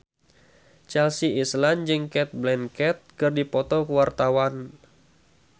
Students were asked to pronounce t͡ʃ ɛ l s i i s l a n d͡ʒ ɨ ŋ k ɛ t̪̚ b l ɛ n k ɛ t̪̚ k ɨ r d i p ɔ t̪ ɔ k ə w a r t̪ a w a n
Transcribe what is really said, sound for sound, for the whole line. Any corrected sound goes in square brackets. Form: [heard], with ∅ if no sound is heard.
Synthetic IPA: t͡ʃ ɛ l s i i s l a n d͡ʒ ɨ ŋ k ɛ t̪̚ b l ɛ n k ɛ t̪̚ k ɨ r d i p ɔ t̪ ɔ k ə w a r t̪ a w a n